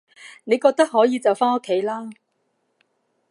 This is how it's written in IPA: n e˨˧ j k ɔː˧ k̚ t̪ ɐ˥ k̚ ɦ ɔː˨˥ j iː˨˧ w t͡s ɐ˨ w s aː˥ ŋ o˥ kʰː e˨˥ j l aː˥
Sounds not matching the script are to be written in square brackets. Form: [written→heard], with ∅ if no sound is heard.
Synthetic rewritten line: n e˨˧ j k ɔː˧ k̚ t̪ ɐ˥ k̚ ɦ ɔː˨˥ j iː˨˧ [w→∅] t͡s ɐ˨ w [s→f] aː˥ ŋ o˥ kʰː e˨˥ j l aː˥